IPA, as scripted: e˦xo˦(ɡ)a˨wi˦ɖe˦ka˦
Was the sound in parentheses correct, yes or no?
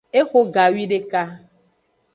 yes